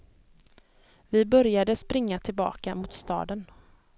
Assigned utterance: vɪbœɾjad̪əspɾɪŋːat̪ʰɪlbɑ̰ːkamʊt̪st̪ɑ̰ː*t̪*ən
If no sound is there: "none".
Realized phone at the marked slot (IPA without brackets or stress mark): d̪